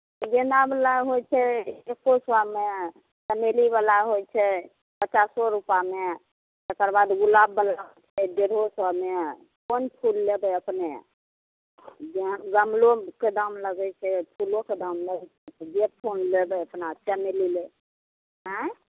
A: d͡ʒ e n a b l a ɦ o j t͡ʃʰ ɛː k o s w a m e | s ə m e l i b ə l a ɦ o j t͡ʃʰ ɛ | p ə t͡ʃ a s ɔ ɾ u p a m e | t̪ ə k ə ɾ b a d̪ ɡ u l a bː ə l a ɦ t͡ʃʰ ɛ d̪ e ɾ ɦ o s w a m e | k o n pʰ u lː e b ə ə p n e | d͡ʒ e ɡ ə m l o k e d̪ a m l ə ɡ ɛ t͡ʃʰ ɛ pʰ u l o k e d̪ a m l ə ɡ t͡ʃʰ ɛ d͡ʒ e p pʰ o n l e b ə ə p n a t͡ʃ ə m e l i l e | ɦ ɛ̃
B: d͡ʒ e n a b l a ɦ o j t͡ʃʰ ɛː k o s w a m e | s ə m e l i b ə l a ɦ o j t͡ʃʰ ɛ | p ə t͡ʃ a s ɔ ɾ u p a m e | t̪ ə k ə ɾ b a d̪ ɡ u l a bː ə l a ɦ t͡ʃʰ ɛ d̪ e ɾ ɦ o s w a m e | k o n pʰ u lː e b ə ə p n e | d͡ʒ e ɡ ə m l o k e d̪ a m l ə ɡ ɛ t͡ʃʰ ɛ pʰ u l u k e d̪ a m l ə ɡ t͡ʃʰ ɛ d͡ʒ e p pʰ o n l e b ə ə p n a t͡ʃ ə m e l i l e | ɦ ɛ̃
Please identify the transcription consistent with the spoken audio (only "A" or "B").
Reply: A